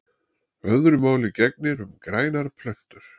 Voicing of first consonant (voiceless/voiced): voiced